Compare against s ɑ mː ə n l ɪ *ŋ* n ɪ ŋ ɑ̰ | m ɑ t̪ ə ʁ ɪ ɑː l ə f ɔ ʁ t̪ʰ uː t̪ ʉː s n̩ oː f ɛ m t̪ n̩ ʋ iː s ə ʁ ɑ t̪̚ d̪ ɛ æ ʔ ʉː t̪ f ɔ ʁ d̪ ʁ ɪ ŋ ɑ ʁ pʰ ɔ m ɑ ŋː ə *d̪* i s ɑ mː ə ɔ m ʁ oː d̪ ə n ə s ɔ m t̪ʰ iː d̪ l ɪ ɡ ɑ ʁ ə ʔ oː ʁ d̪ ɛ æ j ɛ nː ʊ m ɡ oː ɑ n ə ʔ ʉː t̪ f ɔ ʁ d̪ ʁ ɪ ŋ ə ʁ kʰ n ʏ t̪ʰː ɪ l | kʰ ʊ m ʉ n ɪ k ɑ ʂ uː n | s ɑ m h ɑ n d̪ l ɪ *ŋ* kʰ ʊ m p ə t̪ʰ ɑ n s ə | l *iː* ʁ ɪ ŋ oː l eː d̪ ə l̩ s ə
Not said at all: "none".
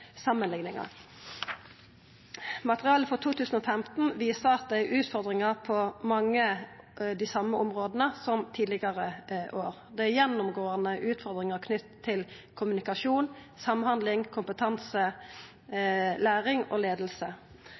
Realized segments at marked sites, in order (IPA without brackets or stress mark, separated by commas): ŋ, d̪, ŋ, æː